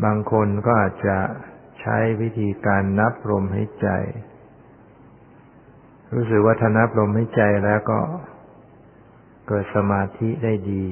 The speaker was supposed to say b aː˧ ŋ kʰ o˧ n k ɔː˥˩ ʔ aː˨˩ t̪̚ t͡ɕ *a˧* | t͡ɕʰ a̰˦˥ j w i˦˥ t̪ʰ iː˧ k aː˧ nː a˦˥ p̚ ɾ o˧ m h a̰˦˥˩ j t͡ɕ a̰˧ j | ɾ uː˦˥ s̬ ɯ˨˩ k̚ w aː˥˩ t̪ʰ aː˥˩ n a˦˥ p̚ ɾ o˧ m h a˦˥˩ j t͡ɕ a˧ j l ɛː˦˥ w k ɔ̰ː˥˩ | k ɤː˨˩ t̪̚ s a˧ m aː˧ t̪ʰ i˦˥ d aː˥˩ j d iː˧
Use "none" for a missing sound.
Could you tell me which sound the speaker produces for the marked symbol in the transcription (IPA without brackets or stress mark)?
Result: a˨˩